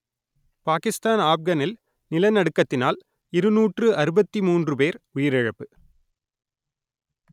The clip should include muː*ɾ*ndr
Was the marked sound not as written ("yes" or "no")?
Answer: yes